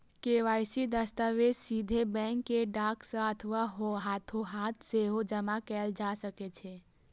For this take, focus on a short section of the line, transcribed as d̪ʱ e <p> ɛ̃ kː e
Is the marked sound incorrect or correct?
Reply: incorrect